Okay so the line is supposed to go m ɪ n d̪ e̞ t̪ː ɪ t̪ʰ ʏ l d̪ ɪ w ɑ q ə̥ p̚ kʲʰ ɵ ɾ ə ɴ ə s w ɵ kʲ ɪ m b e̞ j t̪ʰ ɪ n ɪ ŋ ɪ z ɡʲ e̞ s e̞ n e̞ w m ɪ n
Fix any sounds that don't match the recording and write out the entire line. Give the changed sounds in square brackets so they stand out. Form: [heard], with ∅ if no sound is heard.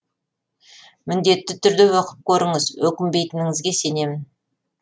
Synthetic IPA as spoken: m ɪ n d̪ e̞ t̪ː ɪ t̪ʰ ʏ [ɾ] d̪ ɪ w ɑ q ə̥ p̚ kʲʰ ɵ ɾ ə ɴ ə [z] w ɵ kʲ ɪ m b e̞ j [t̪] ɪ n ɪ ŋ ɪ z ɡʲ e̞ s e̞ n e̞ [∅] m ɪ n